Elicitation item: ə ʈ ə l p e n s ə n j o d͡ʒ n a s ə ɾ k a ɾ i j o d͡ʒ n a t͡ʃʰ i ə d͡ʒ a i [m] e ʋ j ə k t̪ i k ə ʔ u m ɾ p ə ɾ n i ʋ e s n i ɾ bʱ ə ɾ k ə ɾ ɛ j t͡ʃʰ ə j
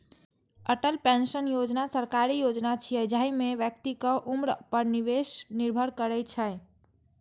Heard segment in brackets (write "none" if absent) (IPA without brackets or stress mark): m